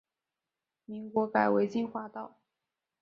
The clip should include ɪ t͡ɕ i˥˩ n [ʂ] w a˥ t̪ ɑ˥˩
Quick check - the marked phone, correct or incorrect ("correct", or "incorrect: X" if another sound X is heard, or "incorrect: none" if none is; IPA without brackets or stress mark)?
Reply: incorrect: x